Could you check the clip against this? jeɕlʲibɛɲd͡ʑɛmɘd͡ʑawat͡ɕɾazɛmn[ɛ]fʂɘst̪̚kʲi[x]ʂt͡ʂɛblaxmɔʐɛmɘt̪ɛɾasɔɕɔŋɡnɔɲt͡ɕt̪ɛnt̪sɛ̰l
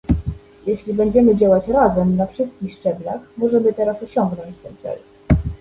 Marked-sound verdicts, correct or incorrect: incorrect, correct

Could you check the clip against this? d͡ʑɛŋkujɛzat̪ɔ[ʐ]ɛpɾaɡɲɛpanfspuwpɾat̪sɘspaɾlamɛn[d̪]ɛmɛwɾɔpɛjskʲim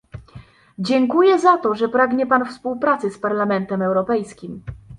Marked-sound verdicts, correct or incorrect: correct, incorrect

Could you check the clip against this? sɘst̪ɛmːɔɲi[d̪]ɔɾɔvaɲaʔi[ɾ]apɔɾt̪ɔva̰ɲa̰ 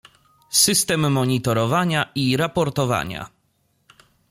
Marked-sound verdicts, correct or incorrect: incorrect, correct

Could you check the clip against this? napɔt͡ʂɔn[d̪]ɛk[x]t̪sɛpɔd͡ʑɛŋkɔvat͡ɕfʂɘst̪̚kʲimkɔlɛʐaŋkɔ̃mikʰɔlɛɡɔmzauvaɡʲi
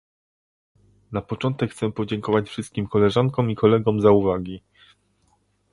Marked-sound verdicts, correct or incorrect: incorrect, correct

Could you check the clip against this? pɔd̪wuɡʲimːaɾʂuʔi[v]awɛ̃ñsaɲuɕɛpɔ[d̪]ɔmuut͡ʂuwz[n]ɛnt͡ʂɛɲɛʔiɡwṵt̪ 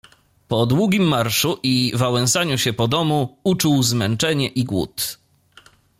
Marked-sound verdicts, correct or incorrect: correct, correct, incorrect

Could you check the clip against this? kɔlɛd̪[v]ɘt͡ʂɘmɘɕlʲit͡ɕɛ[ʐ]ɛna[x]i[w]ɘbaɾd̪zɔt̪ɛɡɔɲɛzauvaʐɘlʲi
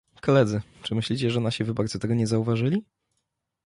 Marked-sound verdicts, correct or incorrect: incorrect, correct, incorrect, incorrect

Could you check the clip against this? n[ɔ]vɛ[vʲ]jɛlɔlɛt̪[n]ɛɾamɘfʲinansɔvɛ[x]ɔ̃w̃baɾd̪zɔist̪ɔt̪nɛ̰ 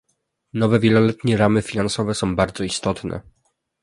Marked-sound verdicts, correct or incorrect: correct, correct, incorrect, incorrect

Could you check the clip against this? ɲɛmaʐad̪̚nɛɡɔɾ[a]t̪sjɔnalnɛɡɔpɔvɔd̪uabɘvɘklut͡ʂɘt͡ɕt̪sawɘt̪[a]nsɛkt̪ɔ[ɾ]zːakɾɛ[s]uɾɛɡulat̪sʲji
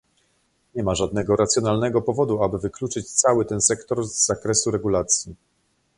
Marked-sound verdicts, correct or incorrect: correct, incorrect, correct, correct

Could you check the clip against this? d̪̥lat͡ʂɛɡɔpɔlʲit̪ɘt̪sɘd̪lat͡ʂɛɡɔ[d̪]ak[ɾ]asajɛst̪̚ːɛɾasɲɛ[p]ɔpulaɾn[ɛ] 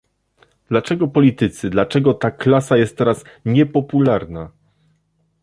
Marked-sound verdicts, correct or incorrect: incorrect, incorrect, correct, incorrect

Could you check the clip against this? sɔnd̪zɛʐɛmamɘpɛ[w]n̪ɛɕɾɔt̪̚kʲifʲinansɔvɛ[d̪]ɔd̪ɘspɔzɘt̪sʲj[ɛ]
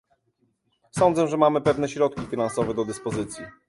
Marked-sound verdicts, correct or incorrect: incorrect, correct, incorrect

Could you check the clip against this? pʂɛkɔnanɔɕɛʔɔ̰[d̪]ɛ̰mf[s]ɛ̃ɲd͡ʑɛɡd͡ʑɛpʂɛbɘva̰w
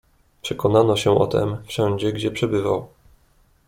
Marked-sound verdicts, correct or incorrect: incorrect, incorrect

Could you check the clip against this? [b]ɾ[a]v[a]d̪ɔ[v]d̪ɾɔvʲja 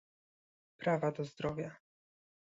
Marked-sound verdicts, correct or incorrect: incorrect, correct, correct, incorrect

